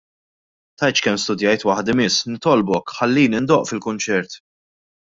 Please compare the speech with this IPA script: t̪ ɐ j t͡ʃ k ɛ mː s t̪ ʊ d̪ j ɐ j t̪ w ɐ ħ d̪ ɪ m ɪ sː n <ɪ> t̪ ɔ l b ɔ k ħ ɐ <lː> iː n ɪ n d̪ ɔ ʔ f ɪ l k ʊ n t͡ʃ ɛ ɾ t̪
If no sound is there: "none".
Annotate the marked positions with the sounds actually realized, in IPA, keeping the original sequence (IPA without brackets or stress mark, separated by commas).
ɪ, lː